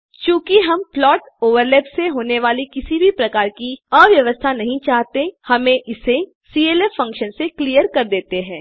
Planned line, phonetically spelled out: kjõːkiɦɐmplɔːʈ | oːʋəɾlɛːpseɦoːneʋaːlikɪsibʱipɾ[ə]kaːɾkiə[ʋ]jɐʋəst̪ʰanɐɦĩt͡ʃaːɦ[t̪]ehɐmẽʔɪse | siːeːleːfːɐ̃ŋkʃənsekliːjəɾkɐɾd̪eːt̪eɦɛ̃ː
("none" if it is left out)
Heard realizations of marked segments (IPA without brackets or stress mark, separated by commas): ɐ, ʋ, t̪